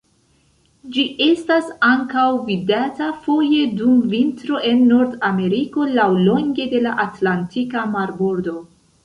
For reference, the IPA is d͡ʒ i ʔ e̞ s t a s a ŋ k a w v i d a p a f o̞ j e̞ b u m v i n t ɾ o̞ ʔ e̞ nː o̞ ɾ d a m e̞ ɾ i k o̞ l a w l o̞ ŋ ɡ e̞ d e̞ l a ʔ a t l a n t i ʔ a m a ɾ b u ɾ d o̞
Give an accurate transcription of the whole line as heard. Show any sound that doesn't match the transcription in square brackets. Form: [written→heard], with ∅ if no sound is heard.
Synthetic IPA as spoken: d͡ʒ i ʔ e̞ s t a s a ŋ k a w v i d a [p→t] a f o̞ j e̞ [b→d] u m v i n t ɾ o̞ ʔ e̞ nː o̞ ɾ d a m e̞ ɾ i k o̞ l a w l o̞ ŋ ɡ e̞ d e̞ l a ʔ a t l a n t i [ʔ→k] a m a ɾ b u ɾ d o̞